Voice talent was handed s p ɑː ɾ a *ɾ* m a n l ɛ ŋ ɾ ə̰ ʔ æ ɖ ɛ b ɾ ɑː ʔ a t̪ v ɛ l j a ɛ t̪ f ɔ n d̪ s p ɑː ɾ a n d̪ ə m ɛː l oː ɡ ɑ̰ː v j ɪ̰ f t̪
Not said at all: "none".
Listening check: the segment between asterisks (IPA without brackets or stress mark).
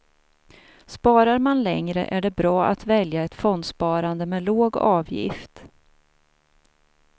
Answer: ɾ